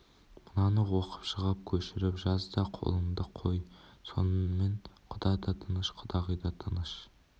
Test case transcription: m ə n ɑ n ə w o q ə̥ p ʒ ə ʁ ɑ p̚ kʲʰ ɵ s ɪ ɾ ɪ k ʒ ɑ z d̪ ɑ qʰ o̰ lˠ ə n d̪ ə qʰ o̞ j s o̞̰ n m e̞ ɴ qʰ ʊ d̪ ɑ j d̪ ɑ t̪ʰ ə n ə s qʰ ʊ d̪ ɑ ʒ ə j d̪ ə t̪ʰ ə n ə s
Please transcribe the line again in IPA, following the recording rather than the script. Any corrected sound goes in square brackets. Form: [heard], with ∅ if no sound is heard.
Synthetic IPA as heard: m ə n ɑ n ə w o q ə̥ p [ʃ] ə ʁ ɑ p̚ kʲʰ ɵ [ʃ] ɪ ɾ ɪ [p] ʒ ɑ z d̪ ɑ qʰ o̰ lˠ ə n d̪ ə qʰ o̞ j s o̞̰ n m e̞ ɴ qʰ ʊ d̪ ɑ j d̪ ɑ t̪ʰ ə n ə [ʃ] qʰ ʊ d̪ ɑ [ʁ] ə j d̪ [ɑ] t̪ʰ ə n ə [ʃ]

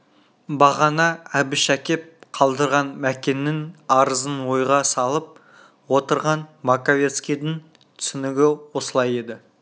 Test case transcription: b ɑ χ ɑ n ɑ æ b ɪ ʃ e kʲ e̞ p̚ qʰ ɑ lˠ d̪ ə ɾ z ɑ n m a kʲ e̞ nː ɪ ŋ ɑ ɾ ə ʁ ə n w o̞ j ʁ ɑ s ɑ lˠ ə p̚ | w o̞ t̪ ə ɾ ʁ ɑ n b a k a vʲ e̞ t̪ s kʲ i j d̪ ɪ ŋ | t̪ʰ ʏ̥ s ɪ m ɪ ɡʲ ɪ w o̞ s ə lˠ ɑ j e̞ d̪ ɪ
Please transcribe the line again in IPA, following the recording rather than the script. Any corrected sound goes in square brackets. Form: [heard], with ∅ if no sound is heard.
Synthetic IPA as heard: b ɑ [ʁ] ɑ n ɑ æ b ɪ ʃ [æ] kʲ e̞ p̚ qʰ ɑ lˠ d̪ ə ɾ [ʁ] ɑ n m [æ] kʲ e̞ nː ɪ ŋ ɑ ɾ ə [z] ə n w o̞ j ʁ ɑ s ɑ lˠ ə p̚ | w o̞ t̪ ə ɾ ʁ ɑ n [m] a k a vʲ e̞ t̪ s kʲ i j d̪ ɪ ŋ | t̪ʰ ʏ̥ s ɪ [n] ɪ ɡʲ ɪ w o̞ s ə lˠ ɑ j e̞ d̪ ɪ

